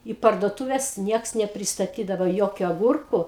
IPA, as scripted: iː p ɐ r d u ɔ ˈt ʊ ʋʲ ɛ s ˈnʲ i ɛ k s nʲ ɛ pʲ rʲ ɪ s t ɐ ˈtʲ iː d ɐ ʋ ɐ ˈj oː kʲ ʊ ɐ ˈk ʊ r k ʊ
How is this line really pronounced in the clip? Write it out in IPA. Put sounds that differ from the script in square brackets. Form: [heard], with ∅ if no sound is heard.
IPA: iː p ɐ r d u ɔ ˈt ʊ ʋʲ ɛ s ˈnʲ i ɛ k s nʲ ɛ pʲ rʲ ɪ s t ɐ ˈtʲ iː d ɐ ʋ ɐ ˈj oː kʲ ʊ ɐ [ˈɡ] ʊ r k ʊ